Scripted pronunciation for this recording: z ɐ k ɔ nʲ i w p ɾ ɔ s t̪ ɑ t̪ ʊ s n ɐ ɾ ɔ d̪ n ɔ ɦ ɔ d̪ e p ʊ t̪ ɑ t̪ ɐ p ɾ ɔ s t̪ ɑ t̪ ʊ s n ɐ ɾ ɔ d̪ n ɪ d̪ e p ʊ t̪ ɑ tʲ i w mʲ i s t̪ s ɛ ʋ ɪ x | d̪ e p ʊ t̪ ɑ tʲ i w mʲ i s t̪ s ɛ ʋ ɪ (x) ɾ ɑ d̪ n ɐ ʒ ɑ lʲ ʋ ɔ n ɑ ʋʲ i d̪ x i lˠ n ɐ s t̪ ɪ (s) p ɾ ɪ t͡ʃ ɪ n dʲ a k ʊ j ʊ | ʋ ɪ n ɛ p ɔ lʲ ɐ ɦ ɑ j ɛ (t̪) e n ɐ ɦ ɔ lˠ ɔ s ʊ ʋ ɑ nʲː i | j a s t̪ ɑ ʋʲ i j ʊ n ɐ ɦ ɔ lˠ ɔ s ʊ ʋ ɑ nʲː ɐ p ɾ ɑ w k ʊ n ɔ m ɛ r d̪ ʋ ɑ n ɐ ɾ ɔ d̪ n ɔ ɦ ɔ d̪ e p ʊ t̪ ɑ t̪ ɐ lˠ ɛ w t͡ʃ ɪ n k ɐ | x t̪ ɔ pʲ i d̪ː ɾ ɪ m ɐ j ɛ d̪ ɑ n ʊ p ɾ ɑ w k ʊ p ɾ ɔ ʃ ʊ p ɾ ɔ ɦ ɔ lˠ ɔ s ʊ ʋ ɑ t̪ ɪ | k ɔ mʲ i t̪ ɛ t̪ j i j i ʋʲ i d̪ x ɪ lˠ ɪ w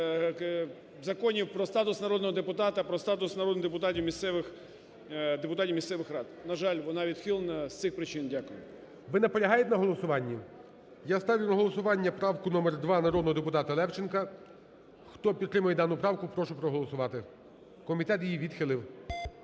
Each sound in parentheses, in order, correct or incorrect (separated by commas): correct, incorrect, correct